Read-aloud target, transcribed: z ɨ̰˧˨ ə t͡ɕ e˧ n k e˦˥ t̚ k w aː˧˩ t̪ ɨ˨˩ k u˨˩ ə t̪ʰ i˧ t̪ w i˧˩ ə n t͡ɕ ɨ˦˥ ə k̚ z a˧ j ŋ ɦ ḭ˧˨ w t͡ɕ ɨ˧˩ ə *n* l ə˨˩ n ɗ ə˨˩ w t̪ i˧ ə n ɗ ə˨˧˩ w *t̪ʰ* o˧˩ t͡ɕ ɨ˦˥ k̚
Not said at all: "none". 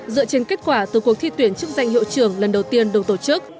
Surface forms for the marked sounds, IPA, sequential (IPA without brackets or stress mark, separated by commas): ŋ, t̪